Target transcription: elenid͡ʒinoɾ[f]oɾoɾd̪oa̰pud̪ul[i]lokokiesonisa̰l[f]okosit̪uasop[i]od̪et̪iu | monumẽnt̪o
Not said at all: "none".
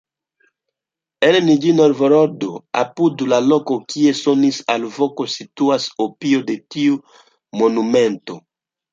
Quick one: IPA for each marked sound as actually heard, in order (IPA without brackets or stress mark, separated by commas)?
v, a, v, i